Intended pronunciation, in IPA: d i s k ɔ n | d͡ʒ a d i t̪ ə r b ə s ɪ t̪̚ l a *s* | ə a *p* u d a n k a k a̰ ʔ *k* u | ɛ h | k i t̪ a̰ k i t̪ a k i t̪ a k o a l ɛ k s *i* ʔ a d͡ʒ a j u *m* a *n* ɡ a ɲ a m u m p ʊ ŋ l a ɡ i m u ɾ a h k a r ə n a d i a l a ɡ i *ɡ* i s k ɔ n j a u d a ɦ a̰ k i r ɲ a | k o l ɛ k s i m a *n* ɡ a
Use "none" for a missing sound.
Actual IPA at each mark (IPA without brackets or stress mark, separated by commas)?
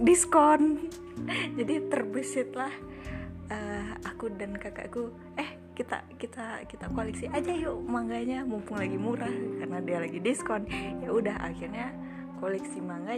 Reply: h, k, k, i, m, ŋ, d, ŋ